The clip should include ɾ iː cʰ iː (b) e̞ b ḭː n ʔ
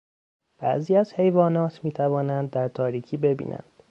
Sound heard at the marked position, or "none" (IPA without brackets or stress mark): b